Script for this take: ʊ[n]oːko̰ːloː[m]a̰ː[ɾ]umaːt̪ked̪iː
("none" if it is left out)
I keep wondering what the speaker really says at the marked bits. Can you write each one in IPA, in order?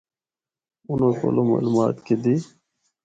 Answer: n, m, l

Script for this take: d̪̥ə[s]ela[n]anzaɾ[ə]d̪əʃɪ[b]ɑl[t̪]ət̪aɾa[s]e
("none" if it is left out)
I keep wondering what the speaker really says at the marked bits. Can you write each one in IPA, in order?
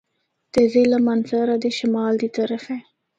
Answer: z, m, a, m, d̪, f

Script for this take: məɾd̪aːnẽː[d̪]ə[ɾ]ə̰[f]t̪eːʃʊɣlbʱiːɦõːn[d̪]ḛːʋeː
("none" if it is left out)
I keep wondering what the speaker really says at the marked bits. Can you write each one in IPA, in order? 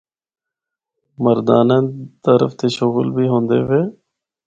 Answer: t̪, ɾ, f, d̪

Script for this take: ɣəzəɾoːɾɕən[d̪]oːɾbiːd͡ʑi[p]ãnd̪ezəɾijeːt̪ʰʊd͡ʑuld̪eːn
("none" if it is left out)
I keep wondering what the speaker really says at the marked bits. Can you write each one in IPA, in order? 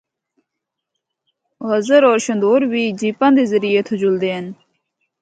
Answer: d̪, p

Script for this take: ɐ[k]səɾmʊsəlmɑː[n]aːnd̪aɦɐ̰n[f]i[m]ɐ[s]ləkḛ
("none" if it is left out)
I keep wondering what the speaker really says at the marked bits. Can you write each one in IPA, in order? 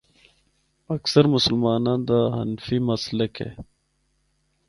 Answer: k, n, f, m, s

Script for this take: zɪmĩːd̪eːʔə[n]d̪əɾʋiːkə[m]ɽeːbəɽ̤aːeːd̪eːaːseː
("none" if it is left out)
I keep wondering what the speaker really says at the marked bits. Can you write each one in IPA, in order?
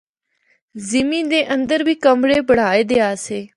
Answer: n, m

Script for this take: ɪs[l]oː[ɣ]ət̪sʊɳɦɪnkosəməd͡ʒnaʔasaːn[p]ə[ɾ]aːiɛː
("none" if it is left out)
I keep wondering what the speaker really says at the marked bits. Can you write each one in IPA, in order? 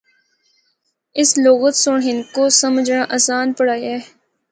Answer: l, ɣ, p, ɽ

